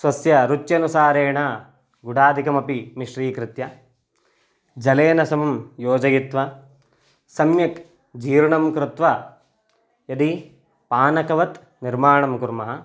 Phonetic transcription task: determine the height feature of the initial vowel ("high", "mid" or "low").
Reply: low